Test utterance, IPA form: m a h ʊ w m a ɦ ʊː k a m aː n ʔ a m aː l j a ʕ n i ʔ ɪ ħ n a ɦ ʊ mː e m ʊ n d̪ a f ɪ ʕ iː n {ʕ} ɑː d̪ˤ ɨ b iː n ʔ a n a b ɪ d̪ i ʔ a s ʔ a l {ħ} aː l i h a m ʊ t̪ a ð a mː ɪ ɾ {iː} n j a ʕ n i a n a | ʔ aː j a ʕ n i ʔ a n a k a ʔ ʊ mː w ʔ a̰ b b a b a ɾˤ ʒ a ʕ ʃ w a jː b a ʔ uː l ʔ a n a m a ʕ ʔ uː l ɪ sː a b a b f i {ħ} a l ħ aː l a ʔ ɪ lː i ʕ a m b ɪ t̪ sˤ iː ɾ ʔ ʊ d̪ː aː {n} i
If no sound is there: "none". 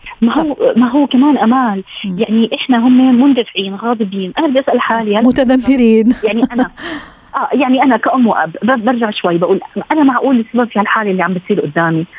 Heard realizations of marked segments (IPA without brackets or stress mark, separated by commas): ɣ, ħ, iː, h, m